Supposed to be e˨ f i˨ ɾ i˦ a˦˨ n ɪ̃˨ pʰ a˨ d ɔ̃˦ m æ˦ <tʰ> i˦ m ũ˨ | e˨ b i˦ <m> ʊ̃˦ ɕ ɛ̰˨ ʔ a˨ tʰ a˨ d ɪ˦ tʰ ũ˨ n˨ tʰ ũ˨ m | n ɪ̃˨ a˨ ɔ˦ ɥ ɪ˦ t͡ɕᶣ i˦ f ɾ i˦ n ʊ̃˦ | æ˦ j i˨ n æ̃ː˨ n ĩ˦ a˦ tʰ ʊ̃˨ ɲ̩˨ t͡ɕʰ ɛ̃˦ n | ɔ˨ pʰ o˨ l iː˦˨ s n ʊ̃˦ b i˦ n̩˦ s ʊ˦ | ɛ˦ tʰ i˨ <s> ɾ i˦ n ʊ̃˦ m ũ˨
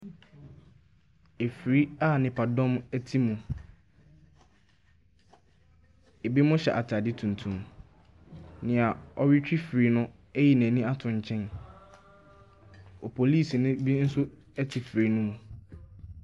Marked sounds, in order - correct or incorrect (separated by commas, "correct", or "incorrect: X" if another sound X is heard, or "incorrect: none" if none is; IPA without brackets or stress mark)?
correct, correct, incorrect: f